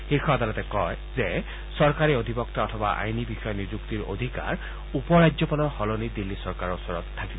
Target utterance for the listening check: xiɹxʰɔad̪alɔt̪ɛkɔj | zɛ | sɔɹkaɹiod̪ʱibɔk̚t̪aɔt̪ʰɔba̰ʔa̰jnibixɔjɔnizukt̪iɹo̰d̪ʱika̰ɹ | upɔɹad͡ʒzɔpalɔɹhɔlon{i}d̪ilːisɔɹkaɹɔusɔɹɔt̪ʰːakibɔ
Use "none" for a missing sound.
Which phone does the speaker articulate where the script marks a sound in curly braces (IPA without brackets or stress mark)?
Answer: i